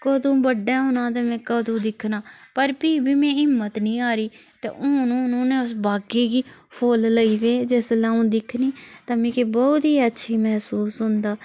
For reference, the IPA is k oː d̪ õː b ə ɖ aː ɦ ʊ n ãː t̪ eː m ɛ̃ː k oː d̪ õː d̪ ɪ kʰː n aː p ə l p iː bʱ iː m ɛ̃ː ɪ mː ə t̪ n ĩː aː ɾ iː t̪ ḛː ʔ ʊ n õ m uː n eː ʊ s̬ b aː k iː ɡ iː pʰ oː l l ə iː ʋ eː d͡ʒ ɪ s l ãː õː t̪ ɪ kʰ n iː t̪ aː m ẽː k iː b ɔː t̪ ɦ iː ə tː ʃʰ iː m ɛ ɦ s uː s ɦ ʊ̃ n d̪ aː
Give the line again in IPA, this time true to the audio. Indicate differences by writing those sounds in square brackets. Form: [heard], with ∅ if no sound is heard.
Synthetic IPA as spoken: k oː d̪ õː b ə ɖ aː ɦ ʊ n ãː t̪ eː m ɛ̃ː k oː d̪ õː d̪ ɪ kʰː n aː p ə [ɾ] p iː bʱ iː m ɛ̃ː ɪ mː ə t̪ n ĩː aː ɾ iː t̪ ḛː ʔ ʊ n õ [n] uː n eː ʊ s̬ b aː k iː ɡ iː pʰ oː l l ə iː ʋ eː d͡ʒ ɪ s l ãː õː [d̪] ɪ kʰ n iː t̪ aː m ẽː k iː b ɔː t̪ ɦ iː ə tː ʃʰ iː m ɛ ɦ s uː s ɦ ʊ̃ n d̪ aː